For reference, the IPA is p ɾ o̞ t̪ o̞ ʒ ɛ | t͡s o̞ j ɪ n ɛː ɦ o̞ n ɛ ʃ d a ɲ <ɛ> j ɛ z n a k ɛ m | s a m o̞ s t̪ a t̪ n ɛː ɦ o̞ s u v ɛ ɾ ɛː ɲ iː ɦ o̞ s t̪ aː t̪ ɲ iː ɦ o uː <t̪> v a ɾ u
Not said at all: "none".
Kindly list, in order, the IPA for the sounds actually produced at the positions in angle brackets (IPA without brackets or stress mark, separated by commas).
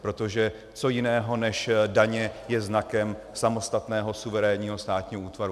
ɛ, t̪